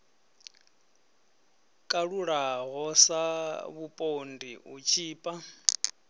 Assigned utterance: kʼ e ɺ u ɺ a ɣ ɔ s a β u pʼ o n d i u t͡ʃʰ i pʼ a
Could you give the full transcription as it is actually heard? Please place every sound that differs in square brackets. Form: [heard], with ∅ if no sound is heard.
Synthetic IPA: kʼ [a] ɺ u ɺ a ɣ ɔ s a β u pʼ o n d i u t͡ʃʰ [iː] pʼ a